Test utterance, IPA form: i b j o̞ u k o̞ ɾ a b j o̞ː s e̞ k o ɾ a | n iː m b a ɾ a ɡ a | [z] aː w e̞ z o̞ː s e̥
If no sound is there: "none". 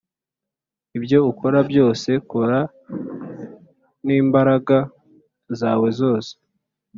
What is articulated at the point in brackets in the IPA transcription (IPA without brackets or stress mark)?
z